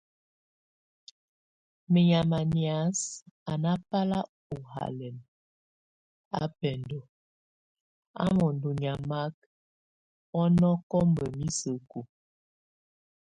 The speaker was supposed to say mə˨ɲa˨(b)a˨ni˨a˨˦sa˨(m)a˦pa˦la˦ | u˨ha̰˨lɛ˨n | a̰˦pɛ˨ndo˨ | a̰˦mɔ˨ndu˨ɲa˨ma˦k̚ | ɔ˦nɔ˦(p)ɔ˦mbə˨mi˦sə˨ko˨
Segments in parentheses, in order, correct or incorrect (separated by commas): incorrect, incorrect, incorrect